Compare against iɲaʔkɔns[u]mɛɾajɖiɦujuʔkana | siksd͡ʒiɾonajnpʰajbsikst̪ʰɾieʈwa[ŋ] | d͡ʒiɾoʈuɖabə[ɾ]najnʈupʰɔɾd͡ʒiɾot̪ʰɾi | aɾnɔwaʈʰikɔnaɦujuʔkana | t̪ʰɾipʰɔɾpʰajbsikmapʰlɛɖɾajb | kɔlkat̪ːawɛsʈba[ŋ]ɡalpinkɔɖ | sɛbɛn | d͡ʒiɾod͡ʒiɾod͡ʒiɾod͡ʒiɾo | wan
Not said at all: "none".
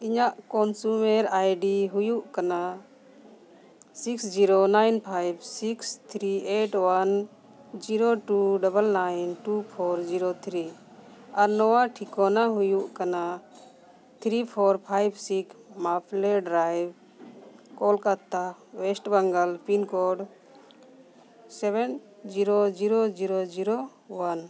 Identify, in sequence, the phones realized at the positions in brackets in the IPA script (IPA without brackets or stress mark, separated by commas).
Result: u, n, l, ŋ